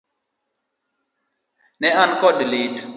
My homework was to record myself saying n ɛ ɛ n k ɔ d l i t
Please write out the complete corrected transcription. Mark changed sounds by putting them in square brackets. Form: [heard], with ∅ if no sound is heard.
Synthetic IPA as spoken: n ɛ [a] n k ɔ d l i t